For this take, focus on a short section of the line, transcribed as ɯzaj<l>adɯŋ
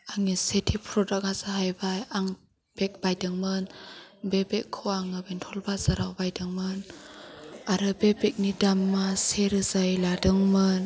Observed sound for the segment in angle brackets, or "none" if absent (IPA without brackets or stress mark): l